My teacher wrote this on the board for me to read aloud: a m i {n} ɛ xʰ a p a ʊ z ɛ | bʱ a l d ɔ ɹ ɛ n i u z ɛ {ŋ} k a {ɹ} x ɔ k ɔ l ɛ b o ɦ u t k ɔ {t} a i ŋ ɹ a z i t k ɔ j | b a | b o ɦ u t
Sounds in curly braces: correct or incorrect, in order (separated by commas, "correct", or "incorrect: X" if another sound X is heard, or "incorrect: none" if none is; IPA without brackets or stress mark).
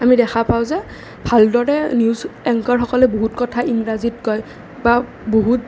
incorrect: d, correct, correct, incorrect: tʰ